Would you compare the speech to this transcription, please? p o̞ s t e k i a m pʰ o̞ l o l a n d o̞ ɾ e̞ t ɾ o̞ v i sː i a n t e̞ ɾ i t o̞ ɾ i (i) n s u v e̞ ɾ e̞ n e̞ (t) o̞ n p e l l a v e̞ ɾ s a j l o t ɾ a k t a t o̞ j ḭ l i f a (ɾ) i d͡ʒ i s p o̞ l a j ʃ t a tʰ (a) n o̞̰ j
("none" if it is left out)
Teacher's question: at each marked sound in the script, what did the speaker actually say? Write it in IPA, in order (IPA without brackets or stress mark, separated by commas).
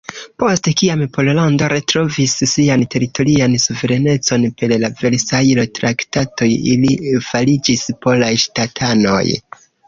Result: a, t͡s, l, a